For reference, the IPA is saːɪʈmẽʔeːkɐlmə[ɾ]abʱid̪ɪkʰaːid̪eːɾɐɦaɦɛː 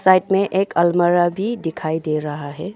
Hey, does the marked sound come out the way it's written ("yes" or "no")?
yes